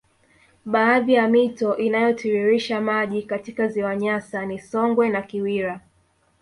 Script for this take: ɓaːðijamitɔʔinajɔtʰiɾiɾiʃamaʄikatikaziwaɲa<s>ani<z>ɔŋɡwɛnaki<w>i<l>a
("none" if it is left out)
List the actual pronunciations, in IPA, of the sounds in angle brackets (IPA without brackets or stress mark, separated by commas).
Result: s, s, w, ɾ